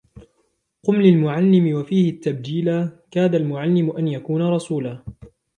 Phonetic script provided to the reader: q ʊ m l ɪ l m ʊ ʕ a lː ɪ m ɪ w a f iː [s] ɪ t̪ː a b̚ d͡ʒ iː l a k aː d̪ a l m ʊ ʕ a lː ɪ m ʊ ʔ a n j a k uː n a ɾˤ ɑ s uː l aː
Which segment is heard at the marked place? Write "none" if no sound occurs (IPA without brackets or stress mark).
h